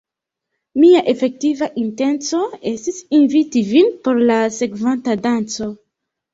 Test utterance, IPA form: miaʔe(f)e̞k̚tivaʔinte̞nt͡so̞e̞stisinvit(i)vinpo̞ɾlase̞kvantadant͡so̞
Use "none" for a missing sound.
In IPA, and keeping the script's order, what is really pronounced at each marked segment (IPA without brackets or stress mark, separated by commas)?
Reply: f, i